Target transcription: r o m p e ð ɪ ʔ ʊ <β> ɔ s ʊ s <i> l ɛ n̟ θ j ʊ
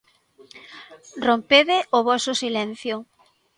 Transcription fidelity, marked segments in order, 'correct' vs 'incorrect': correct, correct

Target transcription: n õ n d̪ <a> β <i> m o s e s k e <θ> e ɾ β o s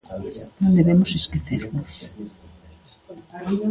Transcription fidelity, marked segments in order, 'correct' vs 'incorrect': incorrect: e, incorrect: e, correct

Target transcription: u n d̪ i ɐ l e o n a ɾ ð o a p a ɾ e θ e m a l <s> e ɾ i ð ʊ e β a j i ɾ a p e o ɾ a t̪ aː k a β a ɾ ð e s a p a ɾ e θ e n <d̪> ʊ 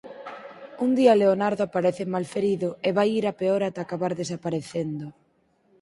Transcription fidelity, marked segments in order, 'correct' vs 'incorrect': incorrect: f, correct

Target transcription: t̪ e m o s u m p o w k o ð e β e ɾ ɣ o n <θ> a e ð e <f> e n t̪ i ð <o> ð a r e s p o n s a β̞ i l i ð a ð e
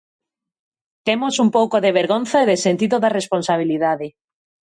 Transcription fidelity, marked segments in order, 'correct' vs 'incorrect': correct, incorrect: s, correct

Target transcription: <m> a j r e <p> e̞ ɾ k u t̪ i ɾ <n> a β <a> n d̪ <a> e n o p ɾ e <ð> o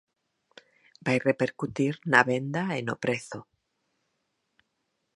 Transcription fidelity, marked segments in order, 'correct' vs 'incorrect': incorrect: b, correct, correct, incorrect: e, correct, incorrect: θ

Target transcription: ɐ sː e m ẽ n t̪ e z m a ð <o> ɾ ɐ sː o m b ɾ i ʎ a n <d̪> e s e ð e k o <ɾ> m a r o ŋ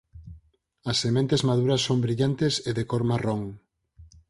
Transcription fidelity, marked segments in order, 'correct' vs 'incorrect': incorrect: u, incorrect: t̪, correct

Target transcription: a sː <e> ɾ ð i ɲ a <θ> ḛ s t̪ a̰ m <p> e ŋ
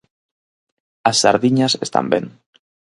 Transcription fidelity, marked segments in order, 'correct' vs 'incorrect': incorrect: a, incorrect: s, incorrect: b

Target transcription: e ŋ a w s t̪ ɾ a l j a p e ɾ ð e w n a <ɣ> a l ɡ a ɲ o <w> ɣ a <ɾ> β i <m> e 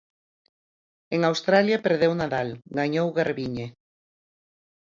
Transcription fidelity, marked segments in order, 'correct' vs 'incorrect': incorrect: ð, correct, correct, incorrect: ɲ

